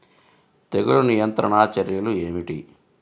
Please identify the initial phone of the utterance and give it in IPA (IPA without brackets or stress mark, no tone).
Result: t̪